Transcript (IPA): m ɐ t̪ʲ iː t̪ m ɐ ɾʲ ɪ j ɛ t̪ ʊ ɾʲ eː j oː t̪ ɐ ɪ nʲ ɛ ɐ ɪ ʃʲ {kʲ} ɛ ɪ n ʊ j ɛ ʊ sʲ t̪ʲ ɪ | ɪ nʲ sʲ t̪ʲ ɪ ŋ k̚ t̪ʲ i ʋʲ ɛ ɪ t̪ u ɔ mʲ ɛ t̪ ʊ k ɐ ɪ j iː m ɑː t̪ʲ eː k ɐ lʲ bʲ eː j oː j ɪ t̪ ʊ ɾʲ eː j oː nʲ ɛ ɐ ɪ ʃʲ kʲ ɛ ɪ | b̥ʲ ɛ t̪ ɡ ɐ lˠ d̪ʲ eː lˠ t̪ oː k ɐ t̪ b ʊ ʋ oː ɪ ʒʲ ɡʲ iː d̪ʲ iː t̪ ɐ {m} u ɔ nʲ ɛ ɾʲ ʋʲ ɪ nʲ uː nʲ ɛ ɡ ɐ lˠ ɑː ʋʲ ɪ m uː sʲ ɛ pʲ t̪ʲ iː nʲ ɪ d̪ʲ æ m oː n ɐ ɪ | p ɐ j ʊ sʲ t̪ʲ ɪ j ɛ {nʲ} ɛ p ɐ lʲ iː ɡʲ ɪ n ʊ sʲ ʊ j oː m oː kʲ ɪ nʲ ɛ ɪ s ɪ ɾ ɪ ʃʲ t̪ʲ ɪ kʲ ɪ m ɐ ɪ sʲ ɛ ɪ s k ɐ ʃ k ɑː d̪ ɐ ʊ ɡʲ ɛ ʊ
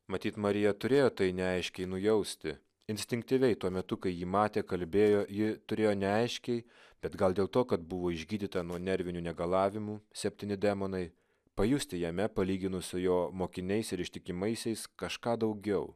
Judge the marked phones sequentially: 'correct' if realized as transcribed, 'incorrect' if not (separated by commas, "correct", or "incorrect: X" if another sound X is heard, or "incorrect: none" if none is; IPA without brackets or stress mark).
correct, incorrect: n, incorrect: mʲ